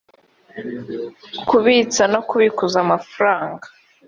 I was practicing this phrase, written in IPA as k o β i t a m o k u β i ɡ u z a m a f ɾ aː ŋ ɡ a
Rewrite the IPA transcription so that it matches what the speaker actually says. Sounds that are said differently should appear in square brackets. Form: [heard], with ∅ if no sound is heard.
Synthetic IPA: k [u] β i [t͡s] a [n] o k u β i [k] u z a m a f ɾ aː ŋ ɡ a